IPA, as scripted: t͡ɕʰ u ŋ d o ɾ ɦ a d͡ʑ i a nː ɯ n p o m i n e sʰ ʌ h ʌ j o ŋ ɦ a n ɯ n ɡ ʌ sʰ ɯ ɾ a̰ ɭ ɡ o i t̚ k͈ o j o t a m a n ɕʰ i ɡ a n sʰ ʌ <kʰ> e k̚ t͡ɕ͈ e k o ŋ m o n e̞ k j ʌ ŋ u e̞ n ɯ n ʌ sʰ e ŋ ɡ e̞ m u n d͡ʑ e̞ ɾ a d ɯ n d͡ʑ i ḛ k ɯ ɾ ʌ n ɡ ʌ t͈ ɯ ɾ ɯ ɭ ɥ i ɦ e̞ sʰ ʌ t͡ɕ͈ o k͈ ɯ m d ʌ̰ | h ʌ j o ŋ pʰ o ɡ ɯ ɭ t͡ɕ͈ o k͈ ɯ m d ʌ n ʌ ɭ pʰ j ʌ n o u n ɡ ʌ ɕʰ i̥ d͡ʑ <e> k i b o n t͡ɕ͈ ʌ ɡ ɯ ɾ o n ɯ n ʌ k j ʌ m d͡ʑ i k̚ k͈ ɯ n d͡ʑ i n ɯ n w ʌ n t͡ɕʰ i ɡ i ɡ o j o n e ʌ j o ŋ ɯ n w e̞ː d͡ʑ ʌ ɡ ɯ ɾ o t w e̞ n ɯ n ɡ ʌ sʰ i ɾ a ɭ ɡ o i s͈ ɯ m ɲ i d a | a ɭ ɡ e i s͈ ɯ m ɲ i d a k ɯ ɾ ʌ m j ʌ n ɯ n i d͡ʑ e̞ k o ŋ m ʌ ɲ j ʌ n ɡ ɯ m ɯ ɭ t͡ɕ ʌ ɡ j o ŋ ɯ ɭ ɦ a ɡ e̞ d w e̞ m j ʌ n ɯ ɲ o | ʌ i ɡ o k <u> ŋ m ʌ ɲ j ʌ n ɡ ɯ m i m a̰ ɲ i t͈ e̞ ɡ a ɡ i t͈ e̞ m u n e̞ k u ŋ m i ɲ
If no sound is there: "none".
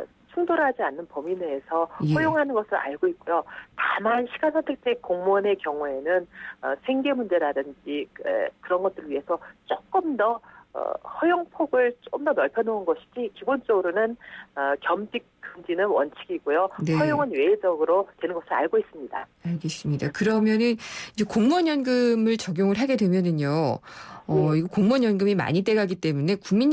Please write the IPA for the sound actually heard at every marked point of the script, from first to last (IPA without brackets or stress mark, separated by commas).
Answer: tʰ, i, o